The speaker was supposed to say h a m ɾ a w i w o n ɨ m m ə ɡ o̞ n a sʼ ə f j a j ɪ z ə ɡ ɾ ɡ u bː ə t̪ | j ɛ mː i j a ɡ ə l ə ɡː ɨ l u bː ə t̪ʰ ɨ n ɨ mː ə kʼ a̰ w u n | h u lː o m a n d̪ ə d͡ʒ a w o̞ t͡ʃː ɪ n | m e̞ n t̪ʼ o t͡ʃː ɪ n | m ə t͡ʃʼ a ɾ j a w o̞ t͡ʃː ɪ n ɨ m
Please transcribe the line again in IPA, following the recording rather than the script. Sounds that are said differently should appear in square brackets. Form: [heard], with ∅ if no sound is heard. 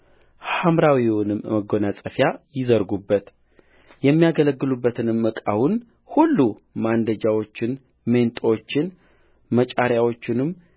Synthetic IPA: h a m ɾ a w i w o n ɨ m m ə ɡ o̞ n a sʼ ə f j a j ɪ z ə [∅] ɾ ɡ u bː ə t̪ | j ɛ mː i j a ɡ ə l ə ɡː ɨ l u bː ə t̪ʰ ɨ n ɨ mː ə kʼ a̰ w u n | h u lː [u] m a n d̪ ə d͡ʒ a w o̞ t͡ʃː ɪ n | m e̞ n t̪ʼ o t͡ʃː ɪ n | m ə t͡ʃʼ a ɾ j a w o̞ t͡ʃː ɪ n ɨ m